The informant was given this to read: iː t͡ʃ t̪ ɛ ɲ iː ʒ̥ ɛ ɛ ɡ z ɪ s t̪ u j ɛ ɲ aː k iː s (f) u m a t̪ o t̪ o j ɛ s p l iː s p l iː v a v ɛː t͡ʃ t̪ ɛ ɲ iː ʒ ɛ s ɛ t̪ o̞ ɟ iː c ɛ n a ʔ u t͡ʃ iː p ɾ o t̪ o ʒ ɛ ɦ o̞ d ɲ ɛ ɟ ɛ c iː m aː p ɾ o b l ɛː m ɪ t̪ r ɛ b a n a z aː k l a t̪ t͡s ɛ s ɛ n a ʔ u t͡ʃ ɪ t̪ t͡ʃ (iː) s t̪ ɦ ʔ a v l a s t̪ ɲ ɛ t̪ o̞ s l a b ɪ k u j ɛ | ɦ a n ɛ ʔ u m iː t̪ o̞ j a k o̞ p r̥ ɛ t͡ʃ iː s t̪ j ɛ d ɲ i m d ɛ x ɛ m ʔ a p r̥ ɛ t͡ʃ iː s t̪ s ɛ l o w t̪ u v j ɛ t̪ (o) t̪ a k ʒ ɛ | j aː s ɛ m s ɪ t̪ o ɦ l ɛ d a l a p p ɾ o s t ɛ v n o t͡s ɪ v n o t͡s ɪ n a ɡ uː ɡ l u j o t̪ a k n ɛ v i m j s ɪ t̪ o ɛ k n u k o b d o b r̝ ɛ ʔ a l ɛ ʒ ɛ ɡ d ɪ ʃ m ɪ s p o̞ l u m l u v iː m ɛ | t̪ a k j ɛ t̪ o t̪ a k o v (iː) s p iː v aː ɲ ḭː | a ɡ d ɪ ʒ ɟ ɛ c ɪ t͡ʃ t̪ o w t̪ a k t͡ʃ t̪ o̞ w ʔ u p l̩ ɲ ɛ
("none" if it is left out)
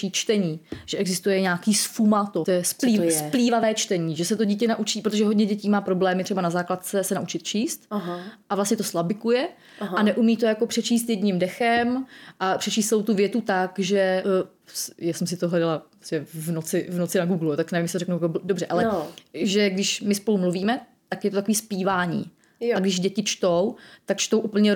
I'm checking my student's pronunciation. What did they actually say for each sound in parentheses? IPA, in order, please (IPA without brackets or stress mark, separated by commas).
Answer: f, iː, u, iː